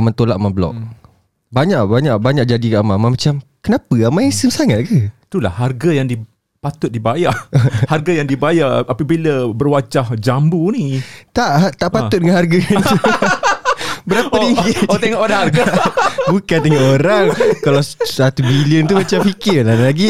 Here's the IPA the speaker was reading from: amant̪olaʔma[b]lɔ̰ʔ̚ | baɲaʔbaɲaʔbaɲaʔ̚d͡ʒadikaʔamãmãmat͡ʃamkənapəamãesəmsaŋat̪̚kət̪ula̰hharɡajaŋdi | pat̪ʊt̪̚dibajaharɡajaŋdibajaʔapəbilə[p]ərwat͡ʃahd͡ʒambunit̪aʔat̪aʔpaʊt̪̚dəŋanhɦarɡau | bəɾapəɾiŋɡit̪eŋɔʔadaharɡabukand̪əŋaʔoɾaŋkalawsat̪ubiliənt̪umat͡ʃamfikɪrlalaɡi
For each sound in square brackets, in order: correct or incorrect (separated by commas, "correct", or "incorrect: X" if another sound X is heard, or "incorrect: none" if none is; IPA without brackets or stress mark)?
correct, incorrect: b